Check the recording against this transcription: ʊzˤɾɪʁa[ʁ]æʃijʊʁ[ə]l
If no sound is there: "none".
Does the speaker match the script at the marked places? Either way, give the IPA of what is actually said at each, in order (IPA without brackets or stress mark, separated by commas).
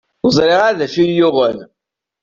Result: ð, ə